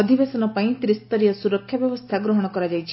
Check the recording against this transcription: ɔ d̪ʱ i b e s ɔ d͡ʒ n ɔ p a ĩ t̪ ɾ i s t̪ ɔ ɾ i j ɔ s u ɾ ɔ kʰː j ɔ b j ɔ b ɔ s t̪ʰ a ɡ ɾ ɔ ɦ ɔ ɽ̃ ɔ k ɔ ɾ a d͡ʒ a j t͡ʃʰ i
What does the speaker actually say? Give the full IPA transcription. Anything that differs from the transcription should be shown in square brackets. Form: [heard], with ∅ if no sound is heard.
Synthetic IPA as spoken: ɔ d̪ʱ i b e s ɔ [∅] n ɔ p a ĩ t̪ ɾ i s t̪ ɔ ɾ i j ɔ s u ɾ ɔ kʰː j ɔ b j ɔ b ɔ s t̪ʰ a ɡ ɾ ɔ ɦ ɔ ɽ̃ ɔ k ɔ ɾ a d͡ʒ a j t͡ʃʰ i